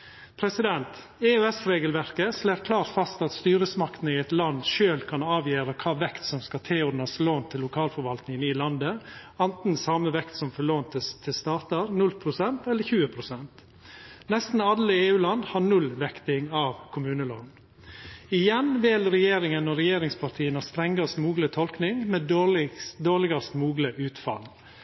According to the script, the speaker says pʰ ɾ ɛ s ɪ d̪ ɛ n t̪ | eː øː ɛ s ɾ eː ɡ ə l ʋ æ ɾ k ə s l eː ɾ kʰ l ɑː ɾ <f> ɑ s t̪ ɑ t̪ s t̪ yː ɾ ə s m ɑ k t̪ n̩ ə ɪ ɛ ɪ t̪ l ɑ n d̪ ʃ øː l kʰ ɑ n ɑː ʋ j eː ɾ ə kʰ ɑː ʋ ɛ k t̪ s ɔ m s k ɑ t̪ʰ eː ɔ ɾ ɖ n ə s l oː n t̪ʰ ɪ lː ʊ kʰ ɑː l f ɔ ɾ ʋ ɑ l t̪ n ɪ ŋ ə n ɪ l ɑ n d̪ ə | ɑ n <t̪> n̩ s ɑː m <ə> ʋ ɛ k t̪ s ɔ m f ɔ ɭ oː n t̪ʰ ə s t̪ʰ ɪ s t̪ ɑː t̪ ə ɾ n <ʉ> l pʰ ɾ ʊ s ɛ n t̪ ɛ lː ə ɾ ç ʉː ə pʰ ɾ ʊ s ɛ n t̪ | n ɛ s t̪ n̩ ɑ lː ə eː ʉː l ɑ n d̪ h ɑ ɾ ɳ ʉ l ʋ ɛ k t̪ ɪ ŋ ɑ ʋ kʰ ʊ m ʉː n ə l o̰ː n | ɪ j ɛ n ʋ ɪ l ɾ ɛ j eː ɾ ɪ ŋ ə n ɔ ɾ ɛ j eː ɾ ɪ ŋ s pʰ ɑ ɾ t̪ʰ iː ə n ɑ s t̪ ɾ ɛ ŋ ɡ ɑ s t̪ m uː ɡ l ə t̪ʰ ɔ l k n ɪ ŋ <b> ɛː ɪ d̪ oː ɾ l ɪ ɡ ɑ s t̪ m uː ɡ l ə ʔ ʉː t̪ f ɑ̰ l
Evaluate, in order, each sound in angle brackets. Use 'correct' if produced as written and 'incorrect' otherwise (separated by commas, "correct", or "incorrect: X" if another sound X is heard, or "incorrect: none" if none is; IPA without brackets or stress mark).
correct, correct, correct, correct, incorrect: m